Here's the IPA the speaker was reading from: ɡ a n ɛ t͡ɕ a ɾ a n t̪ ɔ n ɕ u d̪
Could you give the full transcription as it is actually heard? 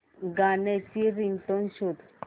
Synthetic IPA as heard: ɡ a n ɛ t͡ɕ i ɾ i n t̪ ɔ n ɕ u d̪